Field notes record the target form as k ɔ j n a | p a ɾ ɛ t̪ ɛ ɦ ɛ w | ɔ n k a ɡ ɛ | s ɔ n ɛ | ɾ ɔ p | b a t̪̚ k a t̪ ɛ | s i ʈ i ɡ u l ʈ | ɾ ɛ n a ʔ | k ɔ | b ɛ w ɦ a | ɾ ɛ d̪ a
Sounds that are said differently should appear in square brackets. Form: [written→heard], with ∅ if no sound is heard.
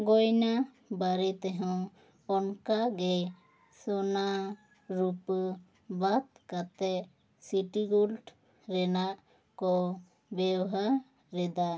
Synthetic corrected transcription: [k→ɡ] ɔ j n a | [p→b] a ɾ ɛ t̪ ɛ ɦ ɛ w | ɔ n k a ɡ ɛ | s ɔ n [ɛ→a] | ɾ [ɔ→u] p | b a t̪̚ k a t̪ ɛ | s i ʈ i ɡ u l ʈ | ɾ ɛ n a ʔ | k ɔ | b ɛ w ɦ a | ɾ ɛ d̪ a